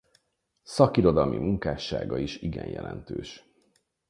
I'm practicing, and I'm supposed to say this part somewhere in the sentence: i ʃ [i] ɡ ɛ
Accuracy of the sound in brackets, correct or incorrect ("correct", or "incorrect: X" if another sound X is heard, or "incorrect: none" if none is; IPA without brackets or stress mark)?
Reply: correct